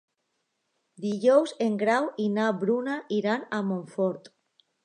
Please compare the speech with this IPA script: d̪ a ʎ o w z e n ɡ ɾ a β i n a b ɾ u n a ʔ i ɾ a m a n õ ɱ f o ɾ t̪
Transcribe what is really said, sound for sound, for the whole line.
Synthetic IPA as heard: d̪ i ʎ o w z e ŋ ɡ ɾ a w i n a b ɾ u n a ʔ i ɾ a n a m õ ɱ f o ɾ t̪